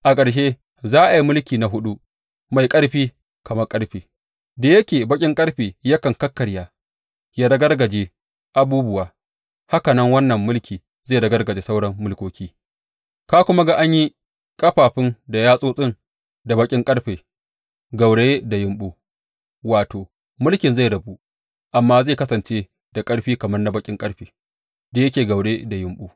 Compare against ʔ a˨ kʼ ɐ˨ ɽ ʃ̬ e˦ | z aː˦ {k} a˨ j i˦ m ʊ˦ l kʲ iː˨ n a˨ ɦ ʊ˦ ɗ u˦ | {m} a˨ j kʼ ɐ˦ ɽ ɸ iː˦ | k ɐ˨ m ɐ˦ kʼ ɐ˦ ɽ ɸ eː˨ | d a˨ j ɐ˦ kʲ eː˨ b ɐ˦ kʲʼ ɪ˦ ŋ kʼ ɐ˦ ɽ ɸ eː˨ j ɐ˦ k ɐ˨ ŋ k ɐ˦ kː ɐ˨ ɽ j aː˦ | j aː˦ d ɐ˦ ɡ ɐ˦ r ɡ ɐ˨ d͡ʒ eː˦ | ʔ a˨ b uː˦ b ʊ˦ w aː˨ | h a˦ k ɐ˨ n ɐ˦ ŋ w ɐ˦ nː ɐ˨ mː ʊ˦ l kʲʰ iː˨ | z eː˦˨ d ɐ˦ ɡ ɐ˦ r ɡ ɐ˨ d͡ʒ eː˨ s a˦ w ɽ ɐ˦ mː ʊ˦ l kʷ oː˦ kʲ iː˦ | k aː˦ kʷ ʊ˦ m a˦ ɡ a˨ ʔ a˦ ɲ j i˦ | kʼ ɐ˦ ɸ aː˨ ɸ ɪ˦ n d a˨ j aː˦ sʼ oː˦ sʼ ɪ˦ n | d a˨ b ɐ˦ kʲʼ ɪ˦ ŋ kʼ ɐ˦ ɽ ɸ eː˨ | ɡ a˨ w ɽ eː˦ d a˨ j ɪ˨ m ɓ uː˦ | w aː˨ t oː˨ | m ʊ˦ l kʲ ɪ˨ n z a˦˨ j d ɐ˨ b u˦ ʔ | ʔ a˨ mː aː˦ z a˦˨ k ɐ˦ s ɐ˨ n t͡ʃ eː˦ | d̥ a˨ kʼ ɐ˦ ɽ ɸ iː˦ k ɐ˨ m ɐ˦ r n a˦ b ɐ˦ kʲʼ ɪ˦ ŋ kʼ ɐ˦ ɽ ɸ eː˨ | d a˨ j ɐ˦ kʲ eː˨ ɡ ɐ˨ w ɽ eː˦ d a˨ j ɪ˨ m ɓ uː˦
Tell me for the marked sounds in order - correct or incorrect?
incorrect: ʔ, correct

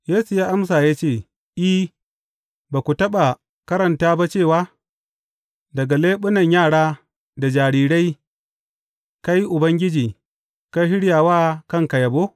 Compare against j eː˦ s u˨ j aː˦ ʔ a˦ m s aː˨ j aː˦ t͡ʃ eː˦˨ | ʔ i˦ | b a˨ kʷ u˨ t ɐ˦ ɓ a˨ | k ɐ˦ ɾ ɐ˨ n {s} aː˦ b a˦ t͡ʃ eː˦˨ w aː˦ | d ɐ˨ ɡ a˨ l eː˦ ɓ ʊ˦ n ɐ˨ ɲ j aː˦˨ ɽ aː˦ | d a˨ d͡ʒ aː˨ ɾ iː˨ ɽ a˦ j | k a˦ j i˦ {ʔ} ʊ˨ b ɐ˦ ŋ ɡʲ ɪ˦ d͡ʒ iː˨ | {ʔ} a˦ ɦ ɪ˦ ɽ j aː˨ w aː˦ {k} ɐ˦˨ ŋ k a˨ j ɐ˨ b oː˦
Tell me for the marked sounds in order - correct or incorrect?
incorrect: t, correct, incorrect: k, correct

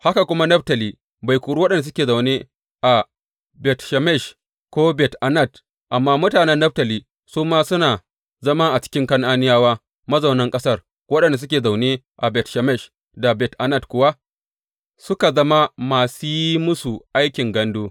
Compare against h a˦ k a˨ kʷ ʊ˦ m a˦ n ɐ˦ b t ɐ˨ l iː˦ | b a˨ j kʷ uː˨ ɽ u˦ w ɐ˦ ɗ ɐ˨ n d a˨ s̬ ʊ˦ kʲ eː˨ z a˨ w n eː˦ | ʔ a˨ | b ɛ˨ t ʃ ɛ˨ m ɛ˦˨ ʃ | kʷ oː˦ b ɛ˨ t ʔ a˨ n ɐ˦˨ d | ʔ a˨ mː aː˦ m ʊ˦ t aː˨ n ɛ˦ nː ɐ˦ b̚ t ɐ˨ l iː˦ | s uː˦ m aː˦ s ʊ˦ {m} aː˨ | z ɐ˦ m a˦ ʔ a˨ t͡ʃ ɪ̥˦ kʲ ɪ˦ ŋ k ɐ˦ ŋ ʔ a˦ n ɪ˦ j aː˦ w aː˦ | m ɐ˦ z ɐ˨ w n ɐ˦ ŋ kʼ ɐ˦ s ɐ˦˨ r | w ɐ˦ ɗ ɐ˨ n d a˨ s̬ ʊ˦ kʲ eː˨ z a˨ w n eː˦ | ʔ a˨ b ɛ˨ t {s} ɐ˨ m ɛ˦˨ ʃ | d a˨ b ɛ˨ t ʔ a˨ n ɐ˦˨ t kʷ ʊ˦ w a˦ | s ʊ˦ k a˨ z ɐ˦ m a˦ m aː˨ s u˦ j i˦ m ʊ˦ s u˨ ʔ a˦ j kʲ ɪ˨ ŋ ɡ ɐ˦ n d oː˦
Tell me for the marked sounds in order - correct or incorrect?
incorrect: n, incorrect: ʃ

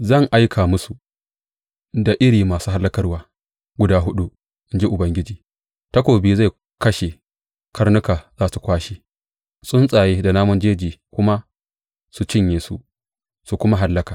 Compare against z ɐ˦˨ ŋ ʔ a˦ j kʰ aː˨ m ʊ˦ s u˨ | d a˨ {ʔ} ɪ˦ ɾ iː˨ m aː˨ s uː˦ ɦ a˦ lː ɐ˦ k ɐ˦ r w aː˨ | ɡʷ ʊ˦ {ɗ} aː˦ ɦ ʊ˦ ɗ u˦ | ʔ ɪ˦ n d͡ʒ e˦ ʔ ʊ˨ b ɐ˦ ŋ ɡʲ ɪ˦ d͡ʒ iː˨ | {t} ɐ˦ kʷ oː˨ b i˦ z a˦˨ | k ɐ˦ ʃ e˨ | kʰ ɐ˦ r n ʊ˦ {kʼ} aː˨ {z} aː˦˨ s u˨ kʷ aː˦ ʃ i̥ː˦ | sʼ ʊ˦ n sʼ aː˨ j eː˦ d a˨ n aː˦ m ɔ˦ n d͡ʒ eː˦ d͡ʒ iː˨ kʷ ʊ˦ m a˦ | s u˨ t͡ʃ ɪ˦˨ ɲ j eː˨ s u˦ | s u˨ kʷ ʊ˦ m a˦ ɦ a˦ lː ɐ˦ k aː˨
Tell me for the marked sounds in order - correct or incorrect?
correct, incorrect: d, correct, incorrect: k, correct

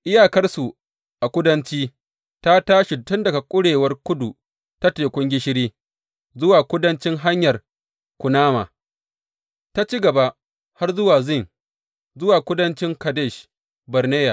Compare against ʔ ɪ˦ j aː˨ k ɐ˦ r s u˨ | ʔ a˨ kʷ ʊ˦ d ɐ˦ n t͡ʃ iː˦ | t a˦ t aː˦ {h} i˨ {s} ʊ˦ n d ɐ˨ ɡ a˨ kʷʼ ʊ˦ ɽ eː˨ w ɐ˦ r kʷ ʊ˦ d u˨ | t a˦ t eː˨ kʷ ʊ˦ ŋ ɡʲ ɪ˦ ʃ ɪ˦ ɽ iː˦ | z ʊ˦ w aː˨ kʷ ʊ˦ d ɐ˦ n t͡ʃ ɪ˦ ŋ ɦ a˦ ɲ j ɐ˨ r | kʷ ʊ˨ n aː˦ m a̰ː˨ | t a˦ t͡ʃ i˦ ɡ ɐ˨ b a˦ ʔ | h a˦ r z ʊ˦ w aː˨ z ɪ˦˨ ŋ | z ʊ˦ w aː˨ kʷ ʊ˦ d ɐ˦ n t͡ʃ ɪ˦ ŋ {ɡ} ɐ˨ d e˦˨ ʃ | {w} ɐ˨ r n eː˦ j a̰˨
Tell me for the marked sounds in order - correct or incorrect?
incorrect: ʃ, incorrect: t, incorrect: k, incorrect: b

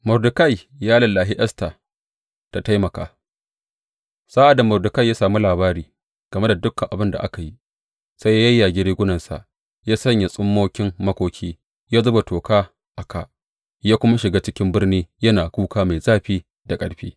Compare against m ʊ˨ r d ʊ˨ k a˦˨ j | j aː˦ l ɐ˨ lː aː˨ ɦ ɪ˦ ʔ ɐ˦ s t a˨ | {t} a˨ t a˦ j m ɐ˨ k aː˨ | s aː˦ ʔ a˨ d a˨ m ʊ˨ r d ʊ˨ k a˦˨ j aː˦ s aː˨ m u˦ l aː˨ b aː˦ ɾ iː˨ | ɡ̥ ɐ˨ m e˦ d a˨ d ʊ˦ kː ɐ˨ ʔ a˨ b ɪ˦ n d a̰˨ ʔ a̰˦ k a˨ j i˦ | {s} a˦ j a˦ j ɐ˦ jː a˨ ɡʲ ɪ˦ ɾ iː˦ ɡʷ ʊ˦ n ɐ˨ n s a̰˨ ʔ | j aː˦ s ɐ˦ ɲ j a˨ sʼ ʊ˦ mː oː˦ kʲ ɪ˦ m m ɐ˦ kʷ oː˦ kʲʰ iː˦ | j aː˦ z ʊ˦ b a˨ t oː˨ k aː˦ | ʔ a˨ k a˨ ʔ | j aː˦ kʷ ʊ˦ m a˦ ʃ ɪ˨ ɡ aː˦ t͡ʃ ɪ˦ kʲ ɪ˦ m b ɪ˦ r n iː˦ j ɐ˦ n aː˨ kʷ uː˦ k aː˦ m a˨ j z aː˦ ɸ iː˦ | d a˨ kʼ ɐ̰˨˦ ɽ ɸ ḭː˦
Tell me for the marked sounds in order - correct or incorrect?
correct, correct

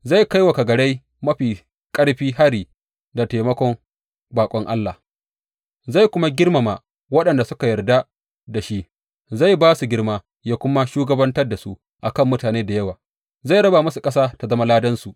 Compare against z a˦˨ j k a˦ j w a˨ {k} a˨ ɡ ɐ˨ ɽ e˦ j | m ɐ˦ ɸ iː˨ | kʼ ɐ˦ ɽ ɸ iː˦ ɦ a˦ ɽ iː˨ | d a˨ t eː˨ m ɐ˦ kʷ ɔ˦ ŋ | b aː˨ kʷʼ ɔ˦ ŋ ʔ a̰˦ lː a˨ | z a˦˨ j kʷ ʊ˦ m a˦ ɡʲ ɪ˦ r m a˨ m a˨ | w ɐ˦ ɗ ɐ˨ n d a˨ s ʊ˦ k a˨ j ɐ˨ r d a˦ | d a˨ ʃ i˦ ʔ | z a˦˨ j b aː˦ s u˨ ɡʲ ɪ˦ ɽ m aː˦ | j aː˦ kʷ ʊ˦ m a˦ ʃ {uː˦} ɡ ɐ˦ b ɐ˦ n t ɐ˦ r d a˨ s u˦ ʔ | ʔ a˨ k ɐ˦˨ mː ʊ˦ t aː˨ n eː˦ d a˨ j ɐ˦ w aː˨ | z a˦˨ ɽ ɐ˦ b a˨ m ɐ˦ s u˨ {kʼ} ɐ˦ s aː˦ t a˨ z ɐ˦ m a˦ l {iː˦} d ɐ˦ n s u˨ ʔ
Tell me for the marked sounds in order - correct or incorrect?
correct, correct, correct, incorrect: aː˦

